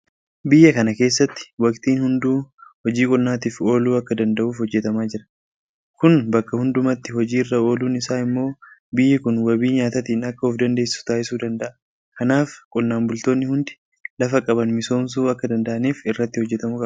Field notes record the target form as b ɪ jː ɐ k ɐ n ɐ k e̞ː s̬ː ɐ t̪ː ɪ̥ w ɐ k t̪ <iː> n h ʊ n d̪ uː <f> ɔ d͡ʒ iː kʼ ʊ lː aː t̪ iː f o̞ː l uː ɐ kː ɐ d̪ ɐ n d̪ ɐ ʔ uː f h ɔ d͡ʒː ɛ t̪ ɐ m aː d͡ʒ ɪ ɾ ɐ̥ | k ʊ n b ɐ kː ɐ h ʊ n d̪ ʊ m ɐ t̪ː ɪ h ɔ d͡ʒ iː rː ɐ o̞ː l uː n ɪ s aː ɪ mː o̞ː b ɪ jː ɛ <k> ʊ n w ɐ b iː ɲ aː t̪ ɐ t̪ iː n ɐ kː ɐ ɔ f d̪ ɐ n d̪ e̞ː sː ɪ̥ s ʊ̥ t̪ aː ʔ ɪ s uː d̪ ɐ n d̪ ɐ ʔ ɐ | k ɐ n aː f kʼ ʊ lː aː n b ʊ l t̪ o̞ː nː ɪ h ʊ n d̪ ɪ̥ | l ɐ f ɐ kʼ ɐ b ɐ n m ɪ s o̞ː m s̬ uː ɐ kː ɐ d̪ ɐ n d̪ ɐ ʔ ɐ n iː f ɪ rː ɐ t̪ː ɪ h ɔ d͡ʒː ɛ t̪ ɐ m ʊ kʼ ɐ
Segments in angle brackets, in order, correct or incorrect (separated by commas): correct, incorrect, correct